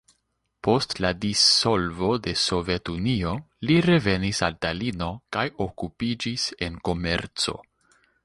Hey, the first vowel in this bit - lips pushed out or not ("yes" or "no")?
yes